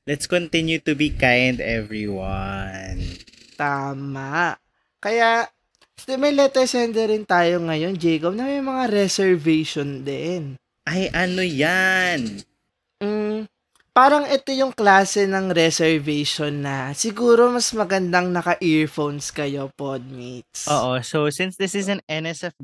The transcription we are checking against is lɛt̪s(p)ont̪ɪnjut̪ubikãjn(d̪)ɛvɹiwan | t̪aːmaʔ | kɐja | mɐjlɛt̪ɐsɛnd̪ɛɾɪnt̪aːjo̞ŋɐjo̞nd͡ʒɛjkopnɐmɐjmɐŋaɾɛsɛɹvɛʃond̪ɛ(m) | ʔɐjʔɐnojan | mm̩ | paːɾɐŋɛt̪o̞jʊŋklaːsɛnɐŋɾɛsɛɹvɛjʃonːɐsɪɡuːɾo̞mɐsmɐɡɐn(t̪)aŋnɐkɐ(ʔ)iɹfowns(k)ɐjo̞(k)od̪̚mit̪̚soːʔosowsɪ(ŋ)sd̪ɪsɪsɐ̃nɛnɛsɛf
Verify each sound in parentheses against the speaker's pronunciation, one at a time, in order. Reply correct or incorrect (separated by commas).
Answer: incorrect, correct, incorrect, incorrect, correct, correct, incorrect, incorrect